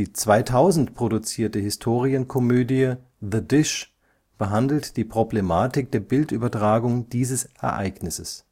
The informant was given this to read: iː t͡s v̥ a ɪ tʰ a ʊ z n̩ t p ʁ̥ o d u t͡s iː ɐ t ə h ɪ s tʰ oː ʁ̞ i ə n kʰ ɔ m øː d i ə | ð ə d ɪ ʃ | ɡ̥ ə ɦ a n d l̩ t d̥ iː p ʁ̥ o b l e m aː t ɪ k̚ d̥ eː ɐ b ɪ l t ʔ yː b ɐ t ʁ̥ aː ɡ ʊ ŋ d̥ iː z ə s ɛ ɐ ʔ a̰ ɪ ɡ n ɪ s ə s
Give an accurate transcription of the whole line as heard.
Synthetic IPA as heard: iː t͡s v̥ a ɪ tʰ a ʊ z n̩ t p ʁ̥ o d u t͡s iː ɐ t ə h ɪ s tʰ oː ʁ̞ i ə n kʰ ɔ m øː d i ə | ð ə d ɪ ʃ | b̥ ə ɦ a n d l̩ t d̥ iː p ʁ̥ o b l e m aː t ɪ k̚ d̥ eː ɐ b ɪ l t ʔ yː b ɐ t ʁ̥ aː ɡ ʊ ŋ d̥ iː z ə s ɛ ɐ ʔ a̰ ɪ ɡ n ɪ s ə s